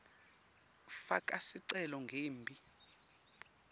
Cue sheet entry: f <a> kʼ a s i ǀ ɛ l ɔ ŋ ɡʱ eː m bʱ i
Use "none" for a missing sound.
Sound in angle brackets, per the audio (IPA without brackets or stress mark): a